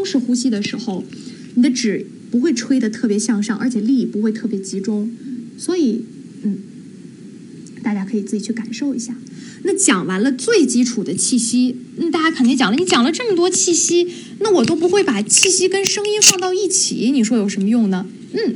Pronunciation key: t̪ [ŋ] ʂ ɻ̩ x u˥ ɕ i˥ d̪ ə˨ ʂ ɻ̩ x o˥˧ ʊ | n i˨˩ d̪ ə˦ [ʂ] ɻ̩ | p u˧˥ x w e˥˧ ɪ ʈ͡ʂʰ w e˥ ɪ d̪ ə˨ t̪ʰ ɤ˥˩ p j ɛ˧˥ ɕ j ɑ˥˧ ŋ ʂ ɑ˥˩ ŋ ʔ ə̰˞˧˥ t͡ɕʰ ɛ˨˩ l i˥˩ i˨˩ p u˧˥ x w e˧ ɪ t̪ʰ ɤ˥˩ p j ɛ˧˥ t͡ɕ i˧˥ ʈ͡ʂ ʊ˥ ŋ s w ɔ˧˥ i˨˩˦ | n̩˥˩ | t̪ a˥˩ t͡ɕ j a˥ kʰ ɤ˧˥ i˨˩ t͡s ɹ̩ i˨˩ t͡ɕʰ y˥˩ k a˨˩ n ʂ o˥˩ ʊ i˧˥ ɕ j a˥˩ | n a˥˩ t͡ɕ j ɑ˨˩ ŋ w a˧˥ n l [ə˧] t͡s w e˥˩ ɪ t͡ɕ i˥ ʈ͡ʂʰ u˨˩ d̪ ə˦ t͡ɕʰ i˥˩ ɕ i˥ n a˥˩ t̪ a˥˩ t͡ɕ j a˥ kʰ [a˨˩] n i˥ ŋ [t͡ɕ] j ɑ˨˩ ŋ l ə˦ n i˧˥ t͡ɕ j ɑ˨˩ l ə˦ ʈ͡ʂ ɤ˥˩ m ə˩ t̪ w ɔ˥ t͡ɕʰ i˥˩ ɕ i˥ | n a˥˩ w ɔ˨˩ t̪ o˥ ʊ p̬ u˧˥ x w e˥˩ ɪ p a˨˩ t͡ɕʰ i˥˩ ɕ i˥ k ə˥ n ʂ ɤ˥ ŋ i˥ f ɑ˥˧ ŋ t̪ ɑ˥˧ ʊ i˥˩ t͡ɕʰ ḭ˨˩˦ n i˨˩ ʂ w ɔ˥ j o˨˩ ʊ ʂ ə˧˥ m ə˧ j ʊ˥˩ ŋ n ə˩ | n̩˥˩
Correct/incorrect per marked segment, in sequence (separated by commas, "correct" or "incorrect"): correct, incorrect, correct, incorrect, correct